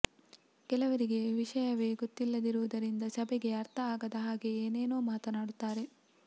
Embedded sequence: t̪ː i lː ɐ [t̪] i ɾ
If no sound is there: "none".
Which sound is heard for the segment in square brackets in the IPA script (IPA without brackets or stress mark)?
d̪